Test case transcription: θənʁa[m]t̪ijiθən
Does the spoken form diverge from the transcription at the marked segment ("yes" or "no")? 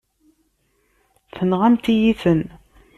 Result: no